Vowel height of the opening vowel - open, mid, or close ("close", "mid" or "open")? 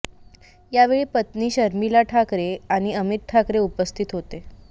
open